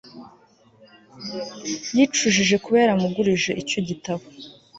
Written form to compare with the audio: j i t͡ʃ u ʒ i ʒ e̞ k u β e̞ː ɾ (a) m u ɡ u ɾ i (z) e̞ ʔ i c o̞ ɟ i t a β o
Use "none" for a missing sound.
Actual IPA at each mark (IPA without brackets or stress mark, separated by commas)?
a, ʒ